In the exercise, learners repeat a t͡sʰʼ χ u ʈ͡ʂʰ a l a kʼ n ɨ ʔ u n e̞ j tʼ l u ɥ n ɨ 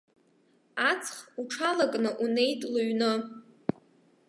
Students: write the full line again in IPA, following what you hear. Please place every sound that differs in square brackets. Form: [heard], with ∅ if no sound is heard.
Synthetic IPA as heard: a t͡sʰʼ χ u ʈ͡ʂʰ a l a kʼ n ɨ ʔ u n e̞ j tʼ l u ɥ n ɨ